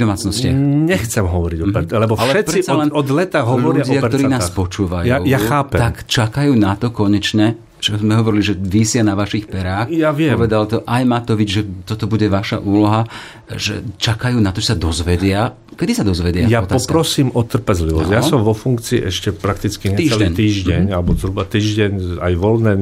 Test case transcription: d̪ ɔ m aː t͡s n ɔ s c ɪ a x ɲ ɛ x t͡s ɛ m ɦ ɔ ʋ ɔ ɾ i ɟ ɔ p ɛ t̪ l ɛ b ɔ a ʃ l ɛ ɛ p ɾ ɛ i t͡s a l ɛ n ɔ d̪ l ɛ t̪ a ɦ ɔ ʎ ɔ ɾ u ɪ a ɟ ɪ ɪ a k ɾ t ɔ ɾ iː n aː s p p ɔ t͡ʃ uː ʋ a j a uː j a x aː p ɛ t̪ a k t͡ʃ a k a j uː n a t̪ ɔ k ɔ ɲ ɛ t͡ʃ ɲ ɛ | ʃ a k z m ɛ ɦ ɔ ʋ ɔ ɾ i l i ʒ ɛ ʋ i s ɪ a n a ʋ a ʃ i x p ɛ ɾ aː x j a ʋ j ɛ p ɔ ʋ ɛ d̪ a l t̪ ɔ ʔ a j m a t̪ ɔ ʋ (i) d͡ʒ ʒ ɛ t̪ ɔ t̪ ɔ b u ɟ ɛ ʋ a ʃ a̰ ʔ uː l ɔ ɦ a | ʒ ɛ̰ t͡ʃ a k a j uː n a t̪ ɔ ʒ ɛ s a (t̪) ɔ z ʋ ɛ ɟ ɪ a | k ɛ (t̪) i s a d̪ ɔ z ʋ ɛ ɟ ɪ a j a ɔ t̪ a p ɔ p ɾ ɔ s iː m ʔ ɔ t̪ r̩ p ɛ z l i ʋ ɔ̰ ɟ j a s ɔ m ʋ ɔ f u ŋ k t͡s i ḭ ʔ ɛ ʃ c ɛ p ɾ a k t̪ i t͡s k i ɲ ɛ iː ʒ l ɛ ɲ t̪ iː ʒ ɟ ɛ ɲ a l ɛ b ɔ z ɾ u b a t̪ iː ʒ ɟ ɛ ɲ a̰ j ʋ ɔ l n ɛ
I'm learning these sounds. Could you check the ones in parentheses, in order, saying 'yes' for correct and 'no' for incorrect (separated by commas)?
yes, no, no